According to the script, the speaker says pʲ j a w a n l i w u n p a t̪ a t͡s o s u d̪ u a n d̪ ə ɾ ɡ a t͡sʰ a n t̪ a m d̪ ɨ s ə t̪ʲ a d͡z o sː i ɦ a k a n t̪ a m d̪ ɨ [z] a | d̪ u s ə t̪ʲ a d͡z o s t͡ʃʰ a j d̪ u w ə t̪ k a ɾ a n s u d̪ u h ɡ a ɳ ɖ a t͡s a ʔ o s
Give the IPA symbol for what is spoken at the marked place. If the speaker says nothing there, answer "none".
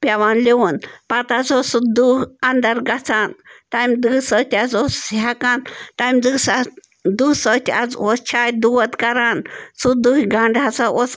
s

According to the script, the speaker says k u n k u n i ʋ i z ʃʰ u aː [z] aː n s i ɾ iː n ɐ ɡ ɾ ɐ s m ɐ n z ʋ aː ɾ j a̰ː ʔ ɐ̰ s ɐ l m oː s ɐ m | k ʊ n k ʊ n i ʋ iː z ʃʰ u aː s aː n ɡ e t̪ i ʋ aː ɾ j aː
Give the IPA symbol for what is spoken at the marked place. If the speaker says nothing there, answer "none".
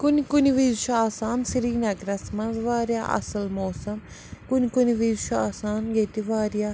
s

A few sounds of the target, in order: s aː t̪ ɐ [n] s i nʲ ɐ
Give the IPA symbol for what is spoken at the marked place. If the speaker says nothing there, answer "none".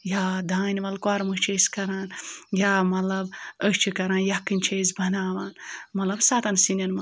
n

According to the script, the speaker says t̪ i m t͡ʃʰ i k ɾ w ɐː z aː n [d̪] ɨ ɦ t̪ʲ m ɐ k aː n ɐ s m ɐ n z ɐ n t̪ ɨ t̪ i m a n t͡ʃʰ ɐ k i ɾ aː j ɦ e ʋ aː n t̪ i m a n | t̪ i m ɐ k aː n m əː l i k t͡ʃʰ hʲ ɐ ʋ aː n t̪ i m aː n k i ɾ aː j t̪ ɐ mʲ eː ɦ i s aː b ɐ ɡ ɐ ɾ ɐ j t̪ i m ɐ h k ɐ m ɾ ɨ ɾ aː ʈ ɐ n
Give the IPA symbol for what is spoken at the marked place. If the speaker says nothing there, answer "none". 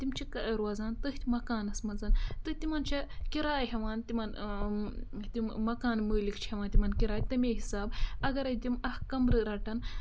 t̪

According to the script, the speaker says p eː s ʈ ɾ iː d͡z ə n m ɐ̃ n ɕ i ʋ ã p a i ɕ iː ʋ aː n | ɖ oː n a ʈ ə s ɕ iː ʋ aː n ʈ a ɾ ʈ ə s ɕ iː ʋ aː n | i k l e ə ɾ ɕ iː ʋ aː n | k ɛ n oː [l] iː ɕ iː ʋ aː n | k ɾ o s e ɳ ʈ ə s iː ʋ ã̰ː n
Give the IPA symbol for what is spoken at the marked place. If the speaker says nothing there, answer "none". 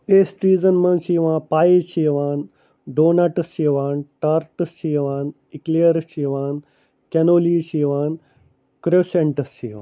l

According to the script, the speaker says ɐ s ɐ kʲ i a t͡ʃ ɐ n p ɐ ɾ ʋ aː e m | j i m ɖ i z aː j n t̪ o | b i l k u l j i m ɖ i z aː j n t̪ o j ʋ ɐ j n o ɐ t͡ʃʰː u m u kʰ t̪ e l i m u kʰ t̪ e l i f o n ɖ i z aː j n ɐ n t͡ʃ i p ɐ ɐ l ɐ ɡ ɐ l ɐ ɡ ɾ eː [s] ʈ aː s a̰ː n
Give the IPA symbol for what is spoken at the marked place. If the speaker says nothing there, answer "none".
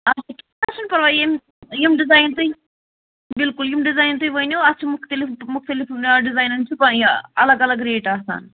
none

